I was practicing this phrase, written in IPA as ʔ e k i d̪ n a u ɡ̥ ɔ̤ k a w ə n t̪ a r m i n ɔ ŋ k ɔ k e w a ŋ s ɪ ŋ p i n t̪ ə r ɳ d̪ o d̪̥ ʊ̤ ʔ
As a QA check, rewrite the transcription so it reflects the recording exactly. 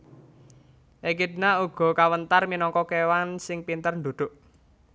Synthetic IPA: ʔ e k i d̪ n a u ɡ̥ ɔ̤ k a w ə n t̪ a r m i n ɔ ŋ k ɔ k e w a n s ɪ ŋ p i n t̪ ə r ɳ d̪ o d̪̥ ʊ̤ ʔ